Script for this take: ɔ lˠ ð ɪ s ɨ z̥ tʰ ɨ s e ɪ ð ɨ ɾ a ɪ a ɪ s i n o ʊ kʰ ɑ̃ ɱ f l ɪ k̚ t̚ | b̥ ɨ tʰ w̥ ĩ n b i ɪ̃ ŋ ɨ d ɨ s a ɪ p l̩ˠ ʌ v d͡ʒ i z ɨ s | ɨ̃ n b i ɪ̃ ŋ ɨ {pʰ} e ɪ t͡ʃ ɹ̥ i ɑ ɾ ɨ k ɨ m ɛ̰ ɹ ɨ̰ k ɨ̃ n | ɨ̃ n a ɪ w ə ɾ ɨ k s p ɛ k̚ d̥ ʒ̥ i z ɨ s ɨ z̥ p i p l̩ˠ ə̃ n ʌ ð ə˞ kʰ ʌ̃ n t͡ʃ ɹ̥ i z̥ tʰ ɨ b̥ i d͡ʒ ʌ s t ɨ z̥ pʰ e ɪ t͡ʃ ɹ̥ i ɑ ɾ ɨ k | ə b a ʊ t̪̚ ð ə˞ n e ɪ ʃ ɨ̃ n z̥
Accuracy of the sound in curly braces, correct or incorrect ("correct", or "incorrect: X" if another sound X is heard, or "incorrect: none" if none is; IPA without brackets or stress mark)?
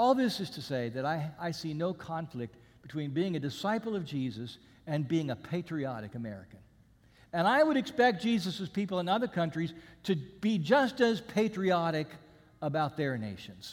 correct